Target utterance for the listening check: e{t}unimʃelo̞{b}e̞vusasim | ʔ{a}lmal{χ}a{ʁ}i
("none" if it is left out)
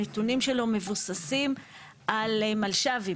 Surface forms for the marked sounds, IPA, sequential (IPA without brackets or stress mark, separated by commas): t, m, a, ʃ, v